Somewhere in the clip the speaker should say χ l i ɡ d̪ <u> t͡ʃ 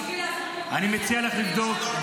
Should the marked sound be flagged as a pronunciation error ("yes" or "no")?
yes